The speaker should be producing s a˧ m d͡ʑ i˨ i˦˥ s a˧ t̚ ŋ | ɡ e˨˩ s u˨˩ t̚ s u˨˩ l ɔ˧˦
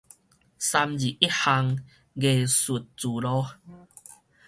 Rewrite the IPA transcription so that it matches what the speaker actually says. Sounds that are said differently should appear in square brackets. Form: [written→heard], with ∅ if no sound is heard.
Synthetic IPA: s a˧ m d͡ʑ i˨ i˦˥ [s→h] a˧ [t̚→∅] ŋ | ɡ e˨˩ s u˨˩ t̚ [s→t͡s] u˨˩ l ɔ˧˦